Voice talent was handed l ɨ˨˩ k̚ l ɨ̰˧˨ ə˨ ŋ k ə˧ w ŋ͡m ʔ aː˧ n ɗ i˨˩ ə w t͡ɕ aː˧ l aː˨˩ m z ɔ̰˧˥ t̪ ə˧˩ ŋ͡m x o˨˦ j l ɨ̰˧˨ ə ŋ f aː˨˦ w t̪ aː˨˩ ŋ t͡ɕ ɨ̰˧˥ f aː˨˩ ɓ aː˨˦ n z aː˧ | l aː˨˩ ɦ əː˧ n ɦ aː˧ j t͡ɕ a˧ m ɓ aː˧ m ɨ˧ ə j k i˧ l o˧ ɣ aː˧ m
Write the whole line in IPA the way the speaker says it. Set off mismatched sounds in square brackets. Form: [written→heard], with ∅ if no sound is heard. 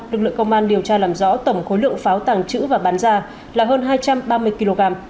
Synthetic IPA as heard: l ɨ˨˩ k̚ l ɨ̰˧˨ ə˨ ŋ k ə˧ w ŋ͡m ʔ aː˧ n ɗ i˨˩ ə w t͡ɕ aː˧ l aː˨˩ m z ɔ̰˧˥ t̪ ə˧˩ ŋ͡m x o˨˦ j l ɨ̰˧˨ ə ŋ f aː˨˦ w t̪ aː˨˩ ŋ t͡ɕ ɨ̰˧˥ [f→v] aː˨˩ ɓ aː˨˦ n z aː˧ | l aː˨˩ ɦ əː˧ n ɦ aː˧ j t͡ɕ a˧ m ɓ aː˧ m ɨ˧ ə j k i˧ l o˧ ɣ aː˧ m